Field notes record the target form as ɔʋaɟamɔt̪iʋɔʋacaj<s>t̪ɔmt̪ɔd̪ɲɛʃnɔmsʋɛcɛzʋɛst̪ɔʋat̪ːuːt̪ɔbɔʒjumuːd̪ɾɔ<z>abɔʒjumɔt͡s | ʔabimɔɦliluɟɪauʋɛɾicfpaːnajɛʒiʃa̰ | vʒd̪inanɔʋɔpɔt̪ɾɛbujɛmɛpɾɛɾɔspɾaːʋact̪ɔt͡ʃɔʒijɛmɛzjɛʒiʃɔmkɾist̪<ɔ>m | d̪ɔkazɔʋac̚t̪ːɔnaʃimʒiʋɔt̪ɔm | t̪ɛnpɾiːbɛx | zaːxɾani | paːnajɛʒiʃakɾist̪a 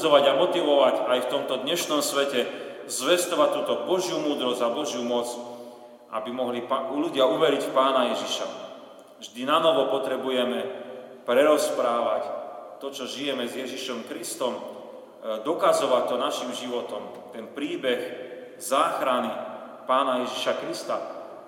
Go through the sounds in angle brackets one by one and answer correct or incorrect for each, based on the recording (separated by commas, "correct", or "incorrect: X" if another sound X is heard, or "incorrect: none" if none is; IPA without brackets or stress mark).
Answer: incorrect: f, correct, correct